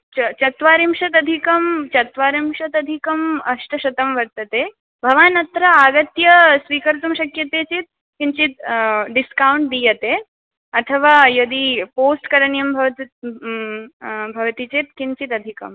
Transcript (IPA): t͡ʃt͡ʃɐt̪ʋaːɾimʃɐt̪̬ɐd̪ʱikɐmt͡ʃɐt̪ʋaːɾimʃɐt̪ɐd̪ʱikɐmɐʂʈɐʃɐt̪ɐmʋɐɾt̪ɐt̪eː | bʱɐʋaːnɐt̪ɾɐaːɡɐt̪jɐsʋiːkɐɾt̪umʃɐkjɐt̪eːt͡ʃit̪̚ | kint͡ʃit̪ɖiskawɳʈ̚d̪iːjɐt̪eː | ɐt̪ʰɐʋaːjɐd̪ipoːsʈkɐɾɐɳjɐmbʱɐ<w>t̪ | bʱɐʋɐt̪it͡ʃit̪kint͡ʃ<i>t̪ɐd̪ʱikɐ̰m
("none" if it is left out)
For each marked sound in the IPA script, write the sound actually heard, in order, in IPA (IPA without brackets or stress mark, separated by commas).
ʋ, i